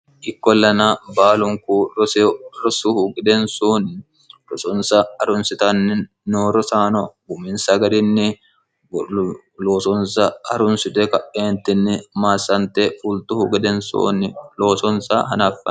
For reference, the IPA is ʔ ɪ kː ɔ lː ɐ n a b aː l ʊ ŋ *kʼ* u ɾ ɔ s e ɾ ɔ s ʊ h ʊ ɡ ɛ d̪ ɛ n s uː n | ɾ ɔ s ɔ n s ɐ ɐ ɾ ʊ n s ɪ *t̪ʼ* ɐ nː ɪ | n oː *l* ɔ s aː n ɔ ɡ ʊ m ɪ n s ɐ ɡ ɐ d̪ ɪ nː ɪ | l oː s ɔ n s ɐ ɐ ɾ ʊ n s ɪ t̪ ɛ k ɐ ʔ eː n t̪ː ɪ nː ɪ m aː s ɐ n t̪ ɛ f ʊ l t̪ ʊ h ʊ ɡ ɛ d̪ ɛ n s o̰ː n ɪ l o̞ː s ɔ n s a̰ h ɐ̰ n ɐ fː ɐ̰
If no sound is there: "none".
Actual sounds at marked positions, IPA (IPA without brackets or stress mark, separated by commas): k, t̪, ɾ